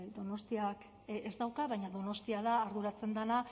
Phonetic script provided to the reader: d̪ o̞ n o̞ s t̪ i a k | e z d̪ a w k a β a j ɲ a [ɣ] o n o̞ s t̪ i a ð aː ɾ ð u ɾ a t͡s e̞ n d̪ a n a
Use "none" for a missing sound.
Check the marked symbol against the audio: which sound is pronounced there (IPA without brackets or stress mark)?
ð